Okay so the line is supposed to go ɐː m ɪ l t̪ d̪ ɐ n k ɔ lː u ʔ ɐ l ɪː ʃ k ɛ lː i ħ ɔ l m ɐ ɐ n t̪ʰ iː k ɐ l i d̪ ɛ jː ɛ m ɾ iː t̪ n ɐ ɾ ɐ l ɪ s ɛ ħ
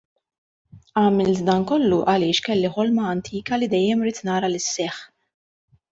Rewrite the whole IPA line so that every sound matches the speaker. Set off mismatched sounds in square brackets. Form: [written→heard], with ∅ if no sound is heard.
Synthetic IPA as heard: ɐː m ɪ l t̪ d̪ ɐ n k ɔ lː u ʔ ɐ l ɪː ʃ k ɛ lː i ħ ɔ l m ɐ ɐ n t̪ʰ iː k ɐ l i d̪ ɛ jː ɛ m ɾ iː t̪ n [ɐ→ɐː] ɾ ɐ l ɪ [s→sː] ɛ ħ

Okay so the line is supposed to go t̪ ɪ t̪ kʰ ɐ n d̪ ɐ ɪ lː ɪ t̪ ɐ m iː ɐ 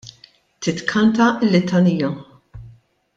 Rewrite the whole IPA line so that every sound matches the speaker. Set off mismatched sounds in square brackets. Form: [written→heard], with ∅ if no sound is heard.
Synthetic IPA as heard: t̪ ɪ t̪ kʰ ɐ n [d̪→t̪] ɐ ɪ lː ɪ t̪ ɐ [m→n] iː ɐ

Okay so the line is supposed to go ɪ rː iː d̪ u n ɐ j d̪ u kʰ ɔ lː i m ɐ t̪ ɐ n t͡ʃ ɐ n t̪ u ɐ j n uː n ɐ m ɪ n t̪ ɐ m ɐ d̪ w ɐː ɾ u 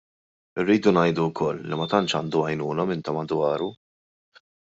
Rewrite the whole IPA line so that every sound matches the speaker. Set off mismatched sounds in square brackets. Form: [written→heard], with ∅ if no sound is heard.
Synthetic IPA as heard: ɪ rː iː d̪ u n ɐ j d̪ u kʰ ɔ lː i m ɐ t̪ ɐ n t͡ʃ ɐ n [t̪→d̪] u ɐ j n uː n ɐ m ɪ n t̪ ɐ m ɐ d̪ w ɐː ɾ u

